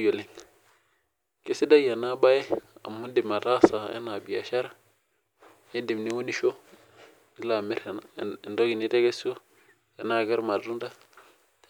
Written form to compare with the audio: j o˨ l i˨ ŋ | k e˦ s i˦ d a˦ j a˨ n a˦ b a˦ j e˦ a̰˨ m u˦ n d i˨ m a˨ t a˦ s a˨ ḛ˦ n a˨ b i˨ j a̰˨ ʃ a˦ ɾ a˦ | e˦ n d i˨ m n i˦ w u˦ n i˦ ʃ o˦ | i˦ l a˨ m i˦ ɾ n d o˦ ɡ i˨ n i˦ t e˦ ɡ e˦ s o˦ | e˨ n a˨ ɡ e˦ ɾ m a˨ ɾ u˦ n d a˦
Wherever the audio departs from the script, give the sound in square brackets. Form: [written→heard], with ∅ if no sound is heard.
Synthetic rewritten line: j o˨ l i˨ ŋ | k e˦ s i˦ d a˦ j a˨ n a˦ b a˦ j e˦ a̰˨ m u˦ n d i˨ m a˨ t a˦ s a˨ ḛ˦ n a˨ b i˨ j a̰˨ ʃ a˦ ɾ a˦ | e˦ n d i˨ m n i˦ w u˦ n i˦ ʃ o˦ | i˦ l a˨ m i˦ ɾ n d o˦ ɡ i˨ n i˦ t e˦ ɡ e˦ s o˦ | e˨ n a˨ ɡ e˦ ɾ m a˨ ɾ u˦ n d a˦